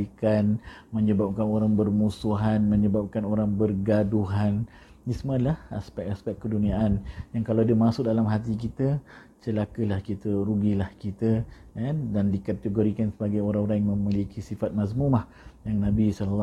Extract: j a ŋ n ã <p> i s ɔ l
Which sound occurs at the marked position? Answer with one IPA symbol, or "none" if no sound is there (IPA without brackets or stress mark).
b